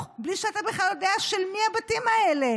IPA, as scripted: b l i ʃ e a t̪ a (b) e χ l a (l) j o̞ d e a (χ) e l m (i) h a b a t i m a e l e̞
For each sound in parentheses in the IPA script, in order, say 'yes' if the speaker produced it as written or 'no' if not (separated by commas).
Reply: yes, yes, no, yes